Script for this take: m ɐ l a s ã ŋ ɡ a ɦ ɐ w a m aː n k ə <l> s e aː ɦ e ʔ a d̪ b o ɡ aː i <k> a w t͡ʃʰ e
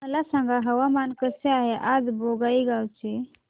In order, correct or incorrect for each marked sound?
incorrect: none, incorrect: ɡ

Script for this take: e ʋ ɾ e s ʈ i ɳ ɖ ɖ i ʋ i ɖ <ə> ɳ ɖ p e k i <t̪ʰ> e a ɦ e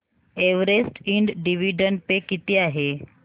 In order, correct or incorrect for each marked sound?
correct, incorrect: t̪

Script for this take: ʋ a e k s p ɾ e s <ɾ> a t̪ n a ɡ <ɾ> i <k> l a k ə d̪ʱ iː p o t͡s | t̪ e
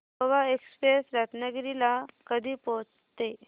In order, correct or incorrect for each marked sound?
correct, correct, incorrect: none

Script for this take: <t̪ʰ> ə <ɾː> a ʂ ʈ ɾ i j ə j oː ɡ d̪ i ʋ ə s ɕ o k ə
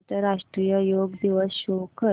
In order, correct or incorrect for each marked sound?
incorrect: t̪, incorrect: ɾ

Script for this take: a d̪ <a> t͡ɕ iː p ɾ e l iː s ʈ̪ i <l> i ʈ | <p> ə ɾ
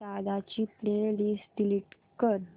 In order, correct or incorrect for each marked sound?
correct, correct, incorrect: k

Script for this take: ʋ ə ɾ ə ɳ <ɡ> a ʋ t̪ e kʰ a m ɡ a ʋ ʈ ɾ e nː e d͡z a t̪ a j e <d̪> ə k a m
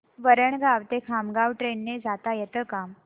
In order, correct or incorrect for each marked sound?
correct, incorrect: t̪

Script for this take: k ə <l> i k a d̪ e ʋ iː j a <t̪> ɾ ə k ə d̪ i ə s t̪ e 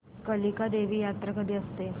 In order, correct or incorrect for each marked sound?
correct, correct

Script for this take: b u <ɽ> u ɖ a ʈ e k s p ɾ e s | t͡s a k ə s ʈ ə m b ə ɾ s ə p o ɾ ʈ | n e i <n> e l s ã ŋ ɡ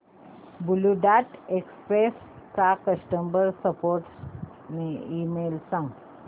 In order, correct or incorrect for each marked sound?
incorrect: l, incorrect: m

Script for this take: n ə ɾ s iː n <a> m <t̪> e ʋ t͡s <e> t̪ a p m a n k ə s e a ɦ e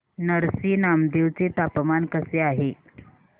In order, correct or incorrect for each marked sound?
correct, incorrect: d̪, correct

